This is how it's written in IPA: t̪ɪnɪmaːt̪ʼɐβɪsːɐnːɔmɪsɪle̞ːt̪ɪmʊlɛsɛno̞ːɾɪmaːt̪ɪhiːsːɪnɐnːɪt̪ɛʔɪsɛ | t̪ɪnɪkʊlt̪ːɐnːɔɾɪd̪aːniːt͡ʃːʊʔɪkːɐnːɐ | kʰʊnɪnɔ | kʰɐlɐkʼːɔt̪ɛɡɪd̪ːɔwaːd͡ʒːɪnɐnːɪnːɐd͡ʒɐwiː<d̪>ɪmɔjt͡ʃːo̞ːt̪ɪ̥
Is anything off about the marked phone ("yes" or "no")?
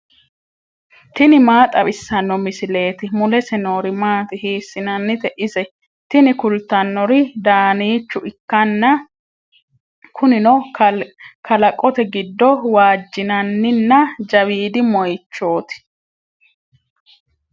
no